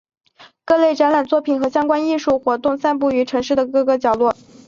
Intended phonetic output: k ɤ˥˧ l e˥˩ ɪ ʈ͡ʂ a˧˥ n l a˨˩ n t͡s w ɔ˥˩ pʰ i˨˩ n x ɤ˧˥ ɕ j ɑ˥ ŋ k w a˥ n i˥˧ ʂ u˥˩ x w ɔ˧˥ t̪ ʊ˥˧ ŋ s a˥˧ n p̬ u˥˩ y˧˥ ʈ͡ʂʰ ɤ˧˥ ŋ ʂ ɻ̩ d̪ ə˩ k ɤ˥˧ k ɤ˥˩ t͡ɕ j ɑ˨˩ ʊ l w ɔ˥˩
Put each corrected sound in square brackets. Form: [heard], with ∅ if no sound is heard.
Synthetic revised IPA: k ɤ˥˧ l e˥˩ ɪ ʈ͡ʂ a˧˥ n l a˨˩ n t͡s w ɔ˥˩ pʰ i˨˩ n x ɤ˧˥ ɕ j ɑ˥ ŋ k w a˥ n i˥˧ ʂ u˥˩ x w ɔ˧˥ t̪ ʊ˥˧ ŋ s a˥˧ n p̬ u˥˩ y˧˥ ʈ͡ʂʰ ɤ˧˥ ŋ ʂ ɻ̩ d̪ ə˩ k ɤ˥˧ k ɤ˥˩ t͡ɕ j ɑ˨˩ ʊ l w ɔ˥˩